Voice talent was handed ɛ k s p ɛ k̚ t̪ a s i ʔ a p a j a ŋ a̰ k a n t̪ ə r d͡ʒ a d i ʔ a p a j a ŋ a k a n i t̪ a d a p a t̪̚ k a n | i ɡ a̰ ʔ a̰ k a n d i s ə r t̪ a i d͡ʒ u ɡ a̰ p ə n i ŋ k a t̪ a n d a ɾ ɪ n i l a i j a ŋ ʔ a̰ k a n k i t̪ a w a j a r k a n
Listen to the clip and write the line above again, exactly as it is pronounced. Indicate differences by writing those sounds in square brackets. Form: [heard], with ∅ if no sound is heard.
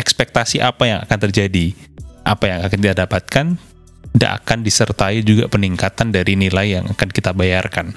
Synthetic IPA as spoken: ɛ k s p ɛ k̚ t̪ a s i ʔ a p a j a ŋ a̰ k a n t̪ ə r d͡ʒ a d i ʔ a p a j a ŋ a k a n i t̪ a d a p a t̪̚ k a n | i [d] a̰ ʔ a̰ k a n d i s ə r t̪ a i d͡ʒ u ɡ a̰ p ə n i ŋ k a t̪ a n d a ɾ [i] n i l a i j a ŋ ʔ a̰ k a n k i t̪ a [b] a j a r k a n